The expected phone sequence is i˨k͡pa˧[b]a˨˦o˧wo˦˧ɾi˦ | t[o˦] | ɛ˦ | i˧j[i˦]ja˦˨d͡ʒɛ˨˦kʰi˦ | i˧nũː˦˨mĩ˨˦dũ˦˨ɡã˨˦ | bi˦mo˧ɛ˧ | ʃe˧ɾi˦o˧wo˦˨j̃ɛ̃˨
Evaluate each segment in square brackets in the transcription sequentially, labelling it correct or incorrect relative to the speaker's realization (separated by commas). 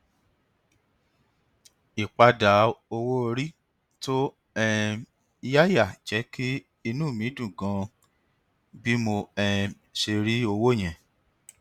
incorrect, correct, incorrect